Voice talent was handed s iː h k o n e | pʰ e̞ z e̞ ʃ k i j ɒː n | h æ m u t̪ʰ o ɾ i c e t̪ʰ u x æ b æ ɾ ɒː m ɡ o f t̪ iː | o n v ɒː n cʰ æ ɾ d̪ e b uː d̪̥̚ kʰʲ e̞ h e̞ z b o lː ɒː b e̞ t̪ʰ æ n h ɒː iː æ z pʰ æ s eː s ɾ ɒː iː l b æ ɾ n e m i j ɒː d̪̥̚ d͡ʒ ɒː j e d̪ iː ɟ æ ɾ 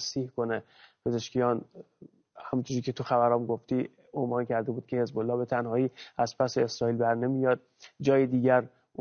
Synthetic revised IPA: s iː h k o n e | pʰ e̞ z e̞ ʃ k i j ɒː n | h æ m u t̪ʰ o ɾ i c e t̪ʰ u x æ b æ ɾ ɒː m ɡ o f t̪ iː | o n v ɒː n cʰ æ ɾ d̪ e b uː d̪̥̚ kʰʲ e̞ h e̞ z b o lː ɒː b e̞ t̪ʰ æ n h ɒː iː æ z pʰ æ s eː s ɾ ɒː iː l b æ ɾ n e m i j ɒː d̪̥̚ d͡ʒ ɒː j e d̪ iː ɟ æ ɾ